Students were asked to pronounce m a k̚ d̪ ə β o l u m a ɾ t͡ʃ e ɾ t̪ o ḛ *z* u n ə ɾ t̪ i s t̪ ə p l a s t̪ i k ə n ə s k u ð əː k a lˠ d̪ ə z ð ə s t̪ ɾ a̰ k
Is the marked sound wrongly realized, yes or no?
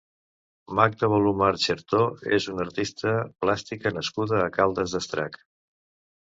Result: no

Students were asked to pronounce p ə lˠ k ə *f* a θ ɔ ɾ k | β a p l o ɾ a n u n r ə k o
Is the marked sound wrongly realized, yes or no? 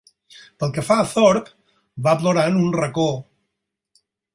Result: no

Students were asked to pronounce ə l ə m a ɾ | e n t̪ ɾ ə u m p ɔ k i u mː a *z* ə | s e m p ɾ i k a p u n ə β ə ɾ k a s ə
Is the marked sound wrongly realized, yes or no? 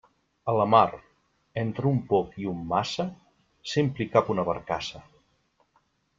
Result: yes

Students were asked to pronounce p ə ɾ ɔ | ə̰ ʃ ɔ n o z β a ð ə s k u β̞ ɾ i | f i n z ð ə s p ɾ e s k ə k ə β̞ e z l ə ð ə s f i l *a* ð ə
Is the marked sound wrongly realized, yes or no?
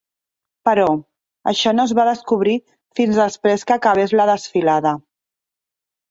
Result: no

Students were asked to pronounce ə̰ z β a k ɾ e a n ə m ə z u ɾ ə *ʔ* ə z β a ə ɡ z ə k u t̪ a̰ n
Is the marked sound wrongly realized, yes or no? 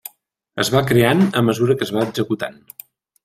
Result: yes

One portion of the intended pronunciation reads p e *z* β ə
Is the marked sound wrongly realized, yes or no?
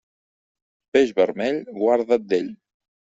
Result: yes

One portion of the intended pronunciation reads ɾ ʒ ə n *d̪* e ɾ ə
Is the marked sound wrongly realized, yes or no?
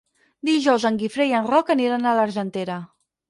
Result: yes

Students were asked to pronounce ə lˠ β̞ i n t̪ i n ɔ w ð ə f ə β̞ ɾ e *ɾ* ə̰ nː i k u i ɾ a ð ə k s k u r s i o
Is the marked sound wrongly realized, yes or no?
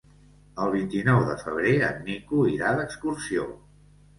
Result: yes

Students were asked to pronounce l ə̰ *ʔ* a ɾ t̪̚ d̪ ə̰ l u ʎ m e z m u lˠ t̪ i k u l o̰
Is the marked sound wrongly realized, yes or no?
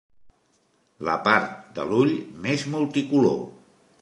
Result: yes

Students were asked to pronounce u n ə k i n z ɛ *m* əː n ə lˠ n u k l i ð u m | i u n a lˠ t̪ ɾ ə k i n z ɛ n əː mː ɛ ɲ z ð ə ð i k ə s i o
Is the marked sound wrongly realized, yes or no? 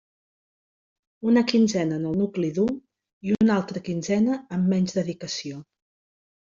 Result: yes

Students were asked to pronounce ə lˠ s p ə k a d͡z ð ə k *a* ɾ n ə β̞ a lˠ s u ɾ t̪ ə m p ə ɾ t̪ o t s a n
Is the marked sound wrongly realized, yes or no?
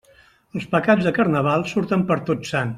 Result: yes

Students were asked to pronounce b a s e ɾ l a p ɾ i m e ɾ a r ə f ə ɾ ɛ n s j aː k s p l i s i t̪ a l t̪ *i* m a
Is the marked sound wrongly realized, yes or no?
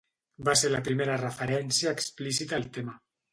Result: yes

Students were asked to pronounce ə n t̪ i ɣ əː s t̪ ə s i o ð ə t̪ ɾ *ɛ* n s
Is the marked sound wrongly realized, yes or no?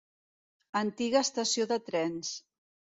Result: no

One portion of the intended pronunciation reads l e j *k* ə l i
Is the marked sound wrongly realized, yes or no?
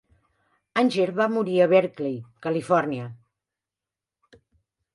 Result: no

